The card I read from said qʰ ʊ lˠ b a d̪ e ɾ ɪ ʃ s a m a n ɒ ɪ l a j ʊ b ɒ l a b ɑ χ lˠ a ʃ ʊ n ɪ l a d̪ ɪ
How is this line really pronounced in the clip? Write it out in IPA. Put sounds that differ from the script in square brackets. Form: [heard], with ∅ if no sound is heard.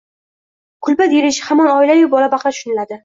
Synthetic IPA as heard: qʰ ʊ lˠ b a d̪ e ɾ ɪ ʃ [h] a m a n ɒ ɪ l a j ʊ b ɒ l a b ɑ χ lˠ a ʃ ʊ n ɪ l a d̪ ɪ